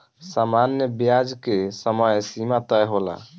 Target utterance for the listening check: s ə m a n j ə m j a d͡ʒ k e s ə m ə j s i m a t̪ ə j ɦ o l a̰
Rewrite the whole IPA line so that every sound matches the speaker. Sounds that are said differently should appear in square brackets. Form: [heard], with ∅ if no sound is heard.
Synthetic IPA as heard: s [a] m a n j ə [b] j a d͡ʒ k e s ə m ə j s i m a t̪ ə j ɦ o l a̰